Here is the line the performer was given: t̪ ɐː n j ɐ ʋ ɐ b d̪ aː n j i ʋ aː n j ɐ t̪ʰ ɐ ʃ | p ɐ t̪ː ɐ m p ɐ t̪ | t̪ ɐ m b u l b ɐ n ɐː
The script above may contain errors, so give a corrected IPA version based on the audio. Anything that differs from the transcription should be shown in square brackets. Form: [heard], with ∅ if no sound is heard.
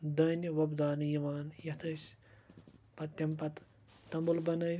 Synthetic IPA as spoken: [d̪] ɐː n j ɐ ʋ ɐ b d̪ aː n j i ʋ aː n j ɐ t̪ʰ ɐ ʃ | p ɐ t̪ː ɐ m p ɐ t̪ | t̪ ɐ m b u l b ɐ n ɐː